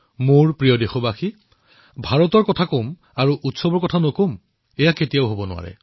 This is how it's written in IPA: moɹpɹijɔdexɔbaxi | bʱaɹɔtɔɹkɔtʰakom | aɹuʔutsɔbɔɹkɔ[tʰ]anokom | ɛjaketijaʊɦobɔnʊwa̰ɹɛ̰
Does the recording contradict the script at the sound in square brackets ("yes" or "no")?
no